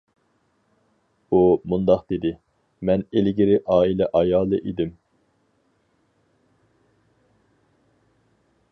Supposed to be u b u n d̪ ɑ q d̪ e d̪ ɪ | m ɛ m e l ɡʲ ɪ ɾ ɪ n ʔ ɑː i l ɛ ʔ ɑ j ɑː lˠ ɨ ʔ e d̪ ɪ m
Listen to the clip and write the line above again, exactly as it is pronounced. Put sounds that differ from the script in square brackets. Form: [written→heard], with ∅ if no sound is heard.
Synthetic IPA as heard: u [b→m] u n d̪ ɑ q d̪ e d̪ ɪ | m ɛ [m→n] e l ɡʲ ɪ ɾ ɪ [n→∅] ʔ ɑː i l ɛ ʔ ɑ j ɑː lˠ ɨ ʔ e d̪ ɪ m